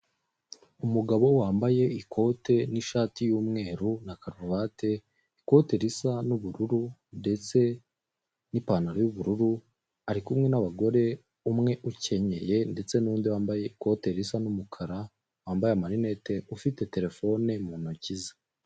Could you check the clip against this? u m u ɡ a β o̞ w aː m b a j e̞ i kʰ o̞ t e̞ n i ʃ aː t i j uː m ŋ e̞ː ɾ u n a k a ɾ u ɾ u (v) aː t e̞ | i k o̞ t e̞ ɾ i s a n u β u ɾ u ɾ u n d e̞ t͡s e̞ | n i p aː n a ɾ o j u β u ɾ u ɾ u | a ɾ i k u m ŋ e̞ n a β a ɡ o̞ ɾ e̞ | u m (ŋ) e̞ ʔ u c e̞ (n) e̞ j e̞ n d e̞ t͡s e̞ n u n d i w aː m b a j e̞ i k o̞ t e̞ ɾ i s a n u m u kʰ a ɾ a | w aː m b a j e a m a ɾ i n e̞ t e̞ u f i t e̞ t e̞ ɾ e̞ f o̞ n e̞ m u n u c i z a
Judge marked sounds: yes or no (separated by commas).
no, yes, no